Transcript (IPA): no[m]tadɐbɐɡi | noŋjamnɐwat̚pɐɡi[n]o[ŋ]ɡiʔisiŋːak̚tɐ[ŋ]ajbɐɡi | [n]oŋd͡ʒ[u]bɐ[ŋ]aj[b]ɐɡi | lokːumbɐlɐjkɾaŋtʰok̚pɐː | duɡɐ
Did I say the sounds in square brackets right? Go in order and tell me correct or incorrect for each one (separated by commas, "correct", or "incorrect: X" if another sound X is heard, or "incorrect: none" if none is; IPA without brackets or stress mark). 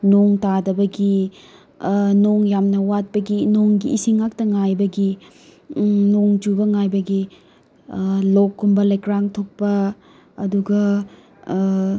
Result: incorrect: ŋ, correct, correct, correct, correct, correct, correct, correct